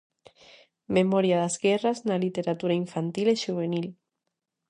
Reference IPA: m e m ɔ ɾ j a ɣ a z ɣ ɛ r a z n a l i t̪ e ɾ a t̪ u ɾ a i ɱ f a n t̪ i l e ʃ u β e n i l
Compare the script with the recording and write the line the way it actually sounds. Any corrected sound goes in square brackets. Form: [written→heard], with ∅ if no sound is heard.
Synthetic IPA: m e m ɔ ɾ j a [ɣ→ð] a z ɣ ɛ r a z n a l i t̪ e ɾ a t̪ u ɾ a i ɱ f a n t̪ i l e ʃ u β e n i l

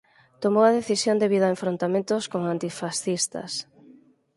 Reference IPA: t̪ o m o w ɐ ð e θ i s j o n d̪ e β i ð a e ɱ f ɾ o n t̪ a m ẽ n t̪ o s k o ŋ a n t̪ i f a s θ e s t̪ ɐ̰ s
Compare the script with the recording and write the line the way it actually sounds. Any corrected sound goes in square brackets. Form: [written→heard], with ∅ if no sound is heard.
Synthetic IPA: t̪ o m o w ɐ ð e θ i s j o n d̪ e β i ð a e ɱ f ɾ o n t̪ a m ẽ n t̪ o s k o ŋ a n t̪ i f a s θ [e→i] s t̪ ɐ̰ s

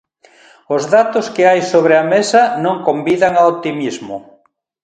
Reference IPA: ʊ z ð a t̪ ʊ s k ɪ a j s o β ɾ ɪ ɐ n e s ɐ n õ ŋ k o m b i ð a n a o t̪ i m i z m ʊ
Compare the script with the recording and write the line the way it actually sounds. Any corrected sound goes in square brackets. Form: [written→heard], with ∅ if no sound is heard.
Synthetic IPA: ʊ z ð a t̪ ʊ s k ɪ a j s o β ɾ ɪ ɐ [n→m] e s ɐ n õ ŋ k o m b i ð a [n→ŋ] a o t̪ i m i z m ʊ

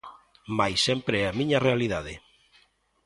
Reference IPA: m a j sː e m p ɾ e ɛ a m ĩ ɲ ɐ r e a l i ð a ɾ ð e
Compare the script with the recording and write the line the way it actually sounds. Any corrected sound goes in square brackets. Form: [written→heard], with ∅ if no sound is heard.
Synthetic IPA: m a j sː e m p ɾ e ɛ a m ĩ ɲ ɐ r e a l i ð a [ɾ→∅] ð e

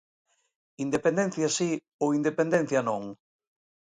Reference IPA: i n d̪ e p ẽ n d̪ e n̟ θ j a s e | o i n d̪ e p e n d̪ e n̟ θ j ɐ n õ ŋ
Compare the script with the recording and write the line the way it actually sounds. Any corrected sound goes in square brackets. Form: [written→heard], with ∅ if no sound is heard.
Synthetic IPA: i n d̪ e p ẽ n d̪ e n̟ θ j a s [e→i] | o i n d̪ e p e n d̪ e n̟ θ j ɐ n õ ŋ

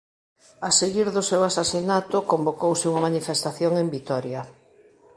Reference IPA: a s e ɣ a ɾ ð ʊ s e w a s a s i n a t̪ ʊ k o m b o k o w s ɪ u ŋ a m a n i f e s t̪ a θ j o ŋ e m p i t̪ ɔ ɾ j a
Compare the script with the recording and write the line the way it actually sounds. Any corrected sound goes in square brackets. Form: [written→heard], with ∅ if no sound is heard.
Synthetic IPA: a s e ɣ [a→i] ɾ ð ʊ s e w a s a s i n a t̪ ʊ k o m b o k o w s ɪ u ŋ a m a n i f e s t̪ a θ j o ŋ e m [p→b] i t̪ ɔ ɾ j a

